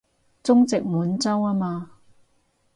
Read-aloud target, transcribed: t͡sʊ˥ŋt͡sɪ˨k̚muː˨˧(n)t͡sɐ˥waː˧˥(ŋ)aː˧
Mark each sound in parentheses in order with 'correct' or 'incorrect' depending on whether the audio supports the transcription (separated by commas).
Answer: correct, incorrect